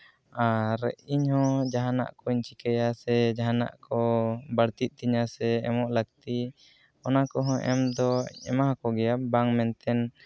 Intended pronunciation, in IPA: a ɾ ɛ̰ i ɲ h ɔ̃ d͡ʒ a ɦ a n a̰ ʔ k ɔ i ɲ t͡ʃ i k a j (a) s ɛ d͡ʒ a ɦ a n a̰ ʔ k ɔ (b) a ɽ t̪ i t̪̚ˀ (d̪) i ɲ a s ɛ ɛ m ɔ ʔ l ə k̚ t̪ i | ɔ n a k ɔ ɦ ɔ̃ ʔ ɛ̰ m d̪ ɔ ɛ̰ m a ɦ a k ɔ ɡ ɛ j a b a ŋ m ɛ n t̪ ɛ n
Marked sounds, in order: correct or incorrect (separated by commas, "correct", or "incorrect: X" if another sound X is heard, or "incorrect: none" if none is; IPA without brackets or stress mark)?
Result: correct, correct, incorrect: t̪